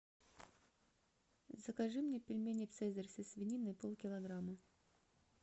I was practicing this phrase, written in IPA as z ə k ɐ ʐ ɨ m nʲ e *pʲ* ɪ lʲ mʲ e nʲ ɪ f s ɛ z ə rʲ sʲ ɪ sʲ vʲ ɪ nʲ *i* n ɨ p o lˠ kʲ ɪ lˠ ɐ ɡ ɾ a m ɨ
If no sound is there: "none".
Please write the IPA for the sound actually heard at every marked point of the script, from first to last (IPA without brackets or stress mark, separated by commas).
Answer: pʲ, i